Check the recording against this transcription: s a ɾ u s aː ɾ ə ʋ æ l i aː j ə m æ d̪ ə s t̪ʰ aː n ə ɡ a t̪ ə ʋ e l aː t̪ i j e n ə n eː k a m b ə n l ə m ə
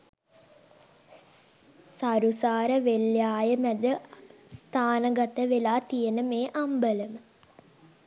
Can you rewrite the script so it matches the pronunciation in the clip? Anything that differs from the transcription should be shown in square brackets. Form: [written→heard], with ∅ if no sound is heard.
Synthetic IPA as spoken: s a ɾ u s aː ɾ ə ʋ [æ→e] l [i→j] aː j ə m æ d̪ ə s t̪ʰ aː n ə ɡ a t̪ ə ʋ e l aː t̪ i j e n ə [n→m] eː [k→ʔ] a m b ə [n→∅] l ə m ə